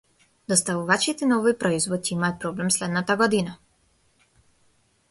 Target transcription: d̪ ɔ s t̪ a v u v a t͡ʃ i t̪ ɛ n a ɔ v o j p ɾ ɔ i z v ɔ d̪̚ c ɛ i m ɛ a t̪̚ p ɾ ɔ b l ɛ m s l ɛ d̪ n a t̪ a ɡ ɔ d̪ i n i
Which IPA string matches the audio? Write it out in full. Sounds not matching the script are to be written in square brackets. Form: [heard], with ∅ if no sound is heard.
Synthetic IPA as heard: d̪ ɔ s t̪ a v u v a t͡ʃ i t̪ ɛ n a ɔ v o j p ɾ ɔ i z v ɔ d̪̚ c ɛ i m [a] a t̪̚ p ɾ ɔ b l ɛ m s l ɛ d̪ n a t̪ a ɡ ɔ d̪ i n [a]